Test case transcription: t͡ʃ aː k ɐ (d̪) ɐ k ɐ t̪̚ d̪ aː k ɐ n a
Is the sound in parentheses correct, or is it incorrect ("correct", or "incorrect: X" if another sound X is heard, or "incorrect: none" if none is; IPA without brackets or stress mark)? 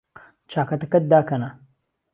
incorrect: t̪